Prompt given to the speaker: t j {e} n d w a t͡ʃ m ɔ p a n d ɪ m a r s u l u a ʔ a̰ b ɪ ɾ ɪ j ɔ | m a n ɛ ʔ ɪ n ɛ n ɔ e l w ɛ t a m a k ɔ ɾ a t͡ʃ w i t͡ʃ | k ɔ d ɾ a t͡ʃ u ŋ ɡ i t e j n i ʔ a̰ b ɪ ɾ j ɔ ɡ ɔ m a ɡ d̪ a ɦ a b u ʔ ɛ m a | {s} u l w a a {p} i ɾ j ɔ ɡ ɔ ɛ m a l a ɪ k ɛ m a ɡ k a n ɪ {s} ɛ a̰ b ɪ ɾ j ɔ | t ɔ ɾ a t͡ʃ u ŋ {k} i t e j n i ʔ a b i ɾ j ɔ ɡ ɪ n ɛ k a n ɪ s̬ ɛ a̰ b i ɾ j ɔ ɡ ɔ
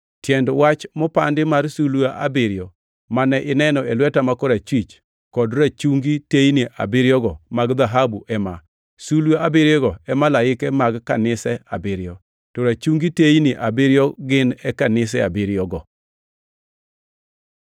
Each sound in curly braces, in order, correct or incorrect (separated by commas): incorrect, correct, incorrect, correct, incorrect